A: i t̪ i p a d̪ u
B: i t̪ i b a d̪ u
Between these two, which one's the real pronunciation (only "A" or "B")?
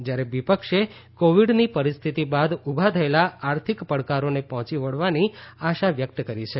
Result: B